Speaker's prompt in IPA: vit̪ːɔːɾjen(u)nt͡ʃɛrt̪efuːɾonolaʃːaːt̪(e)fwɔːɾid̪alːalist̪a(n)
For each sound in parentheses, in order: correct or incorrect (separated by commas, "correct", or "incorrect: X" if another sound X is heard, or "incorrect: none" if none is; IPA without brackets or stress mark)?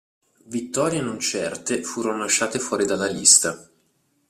incorrect: o, correct, incorrect: none